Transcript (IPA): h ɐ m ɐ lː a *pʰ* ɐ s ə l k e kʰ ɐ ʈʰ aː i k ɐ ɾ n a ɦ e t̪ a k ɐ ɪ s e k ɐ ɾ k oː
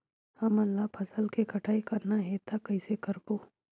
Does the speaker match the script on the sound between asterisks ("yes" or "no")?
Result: yes